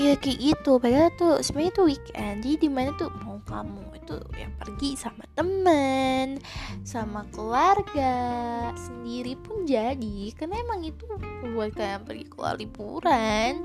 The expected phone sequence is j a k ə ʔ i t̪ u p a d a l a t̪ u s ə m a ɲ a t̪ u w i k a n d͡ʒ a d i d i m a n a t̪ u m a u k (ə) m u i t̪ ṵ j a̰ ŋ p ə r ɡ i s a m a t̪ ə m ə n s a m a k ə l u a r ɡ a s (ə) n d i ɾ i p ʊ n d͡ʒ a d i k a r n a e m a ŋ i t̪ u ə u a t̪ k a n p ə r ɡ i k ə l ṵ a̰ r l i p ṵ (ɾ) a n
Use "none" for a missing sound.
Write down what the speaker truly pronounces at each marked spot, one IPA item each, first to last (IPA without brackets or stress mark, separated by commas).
a, ə, ɾ